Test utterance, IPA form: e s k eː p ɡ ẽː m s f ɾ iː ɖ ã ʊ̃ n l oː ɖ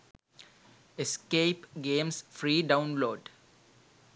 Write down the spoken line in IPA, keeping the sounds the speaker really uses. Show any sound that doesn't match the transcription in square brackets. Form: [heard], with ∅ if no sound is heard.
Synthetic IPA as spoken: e s k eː p ɡ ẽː m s f ɾ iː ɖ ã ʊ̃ n l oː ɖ